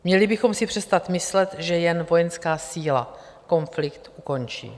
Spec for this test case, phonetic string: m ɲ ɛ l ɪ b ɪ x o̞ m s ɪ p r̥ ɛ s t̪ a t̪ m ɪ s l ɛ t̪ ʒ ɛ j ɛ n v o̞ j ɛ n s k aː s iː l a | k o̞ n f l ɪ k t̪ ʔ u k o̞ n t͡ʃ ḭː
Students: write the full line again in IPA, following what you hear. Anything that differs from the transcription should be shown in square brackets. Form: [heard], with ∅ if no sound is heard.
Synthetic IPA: m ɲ ɛ l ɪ b ɪ x o̞ m s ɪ p r̥ ɛ s t̪ a t̪ m ɪ s l ɛ t̪ ʒ ɛ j ɛ n v o̞ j ɛ n s k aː s iː l a | k o̞ n f l ɪ k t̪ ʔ u k o̞ n t͡ʃ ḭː